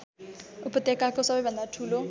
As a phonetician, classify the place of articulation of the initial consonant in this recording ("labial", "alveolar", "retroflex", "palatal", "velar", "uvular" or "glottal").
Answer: labial